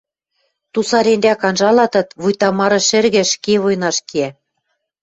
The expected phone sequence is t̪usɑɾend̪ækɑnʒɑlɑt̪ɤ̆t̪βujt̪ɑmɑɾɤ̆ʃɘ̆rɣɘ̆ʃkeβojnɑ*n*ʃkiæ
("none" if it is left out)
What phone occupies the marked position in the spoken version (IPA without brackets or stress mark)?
none